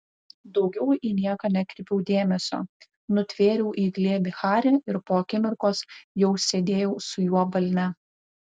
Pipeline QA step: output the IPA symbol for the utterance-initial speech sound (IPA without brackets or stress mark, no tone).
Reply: d̪